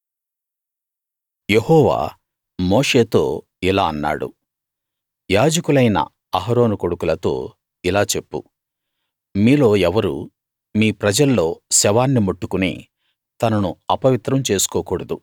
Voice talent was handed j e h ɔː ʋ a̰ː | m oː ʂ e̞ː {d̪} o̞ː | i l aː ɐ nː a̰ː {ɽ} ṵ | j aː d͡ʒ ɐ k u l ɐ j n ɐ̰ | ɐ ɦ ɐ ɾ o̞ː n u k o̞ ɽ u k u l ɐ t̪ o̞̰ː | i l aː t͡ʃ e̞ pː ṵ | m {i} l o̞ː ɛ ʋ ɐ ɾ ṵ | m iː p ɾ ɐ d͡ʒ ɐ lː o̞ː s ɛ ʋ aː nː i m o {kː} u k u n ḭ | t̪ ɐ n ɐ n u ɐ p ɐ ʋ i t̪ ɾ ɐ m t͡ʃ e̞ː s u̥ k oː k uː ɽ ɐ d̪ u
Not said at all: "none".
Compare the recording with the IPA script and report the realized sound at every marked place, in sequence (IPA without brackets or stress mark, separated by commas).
t̪, ɽ, iː, ʈː